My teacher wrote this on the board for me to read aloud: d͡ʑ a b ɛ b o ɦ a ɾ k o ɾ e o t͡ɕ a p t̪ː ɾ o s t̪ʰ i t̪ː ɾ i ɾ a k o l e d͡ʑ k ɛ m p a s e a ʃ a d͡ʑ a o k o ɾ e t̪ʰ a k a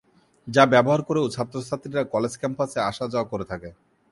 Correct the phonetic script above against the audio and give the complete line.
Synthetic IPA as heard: d͡ʑ a b ɛ b o ɦ a ɾ k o ɾ e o t͡ɕʰ a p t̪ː ɾ o s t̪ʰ a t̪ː ɾ i ɾ a k ɔ l e d͡ʑ k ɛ m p a s e a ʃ a d͡ʑ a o k o ɾ e t̪ʰ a k e